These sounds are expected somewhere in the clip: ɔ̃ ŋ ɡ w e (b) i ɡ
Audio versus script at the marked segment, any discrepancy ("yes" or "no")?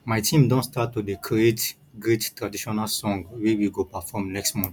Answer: yes